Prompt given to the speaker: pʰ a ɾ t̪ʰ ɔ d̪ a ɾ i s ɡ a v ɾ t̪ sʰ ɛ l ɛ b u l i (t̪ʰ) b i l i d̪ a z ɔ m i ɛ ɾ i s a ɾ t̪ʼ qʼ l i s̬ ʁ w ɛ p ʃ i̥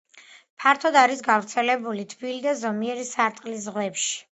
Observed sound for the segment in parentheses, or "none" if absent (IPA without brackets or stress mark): t̪ʰ